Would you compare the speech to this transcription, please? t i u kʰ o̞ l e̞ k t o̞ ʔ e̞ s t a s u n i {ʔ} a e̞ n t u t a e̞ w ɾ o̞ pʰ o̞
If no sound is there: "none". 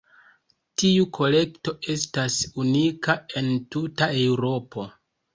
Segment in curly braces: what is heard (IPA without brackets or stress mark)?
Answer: k